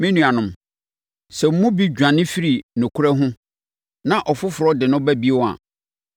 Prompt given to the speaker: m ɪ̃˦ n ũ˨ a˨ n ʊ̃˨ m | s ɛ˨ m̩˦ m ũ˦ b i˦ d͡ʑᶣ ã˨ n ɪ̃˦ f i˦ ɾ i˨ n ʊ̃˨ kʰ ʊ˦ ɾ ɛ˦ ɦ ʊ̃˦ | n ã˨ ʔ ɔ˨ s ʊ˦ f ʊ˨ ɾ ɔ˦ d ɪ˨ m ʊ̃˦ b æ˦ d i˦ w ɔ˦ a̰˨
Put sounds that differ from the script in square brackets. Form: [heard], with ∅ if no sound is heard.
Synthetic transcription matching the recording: m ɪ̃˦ n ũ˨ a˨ n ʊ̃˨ m | s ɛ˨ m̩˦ m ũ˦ b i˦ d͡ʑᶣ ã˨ n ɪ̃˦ f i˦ ɾ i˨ n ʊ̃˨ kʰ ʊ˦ ɾ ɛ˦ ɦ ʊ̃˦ | n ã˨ ʔ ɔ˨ [f] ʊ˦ f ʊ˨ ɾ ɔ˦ d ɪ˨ [n] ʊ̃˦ b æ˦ [b] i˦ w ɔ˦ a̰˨